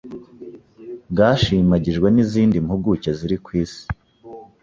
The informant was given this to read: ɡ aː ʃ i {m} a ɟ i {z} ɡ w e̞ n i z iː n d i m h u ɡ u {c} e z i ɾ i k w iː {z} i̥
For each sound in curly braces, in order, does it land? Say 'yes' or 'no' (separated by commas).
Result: yes, no, yes, no